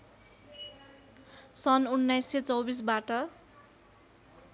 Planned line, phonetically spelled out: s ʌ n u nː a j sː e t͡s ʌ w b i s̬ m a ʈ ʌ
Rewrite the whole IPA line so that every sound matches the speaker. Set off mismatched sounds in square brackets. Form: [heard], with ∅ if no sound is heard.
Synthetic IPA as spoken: s ʌ n u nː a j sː e t͡s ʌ w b i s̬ [b] a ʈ ʌ